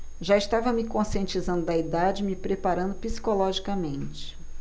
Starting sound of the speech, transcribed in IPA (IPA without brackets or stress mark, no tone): ʒ